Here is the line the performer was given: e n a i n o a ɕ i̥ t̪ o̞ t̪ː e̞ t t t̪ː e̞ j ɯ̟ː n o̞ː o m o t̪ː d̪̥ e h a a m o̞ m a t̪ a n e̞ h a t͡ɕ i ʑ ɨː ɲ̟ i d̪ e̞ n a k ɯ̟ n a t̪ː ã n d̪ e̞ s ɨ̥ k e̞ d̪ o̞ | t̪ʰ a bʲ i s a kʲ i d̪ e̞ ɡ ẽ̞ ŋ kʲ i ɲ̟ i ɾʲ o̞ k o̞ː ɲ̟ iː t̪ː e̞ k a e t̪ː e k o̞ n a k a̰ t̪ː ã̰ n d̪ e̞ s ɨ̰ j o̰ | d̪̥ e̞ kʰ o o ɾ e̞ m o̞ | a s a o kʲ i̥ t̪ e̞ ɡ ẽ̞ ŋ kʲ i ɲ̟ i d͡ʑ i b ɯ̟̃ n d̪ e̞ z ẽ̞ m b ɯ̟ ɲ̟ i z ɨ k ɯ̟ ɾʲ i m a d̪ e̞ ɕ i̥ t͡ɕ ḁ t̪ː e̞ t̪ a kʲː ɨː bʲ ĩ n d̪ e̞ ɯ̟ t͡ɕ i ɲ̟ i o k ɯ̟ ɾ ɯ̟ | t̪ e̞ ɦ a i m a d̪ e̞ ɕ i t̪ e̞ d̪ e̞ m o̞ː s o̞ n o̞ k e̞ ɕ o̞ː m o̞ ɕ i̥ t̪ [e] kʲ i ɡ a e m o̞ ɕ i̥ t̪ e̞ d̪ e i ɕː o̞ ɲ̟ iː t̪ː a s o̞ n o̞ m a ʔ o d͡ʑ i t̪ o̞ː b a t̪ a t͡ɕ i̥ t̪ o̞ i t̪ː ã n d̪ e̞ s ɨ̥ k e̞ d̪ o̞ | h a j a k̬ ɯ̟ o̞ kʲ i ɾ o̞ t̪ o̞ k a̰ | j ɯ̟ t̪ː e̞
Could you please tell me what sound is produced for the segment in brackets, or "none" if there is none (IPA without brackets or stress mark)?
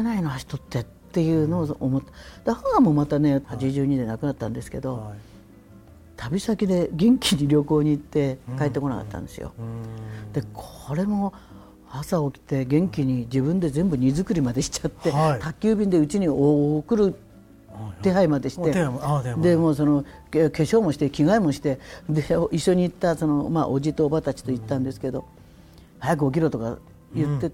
e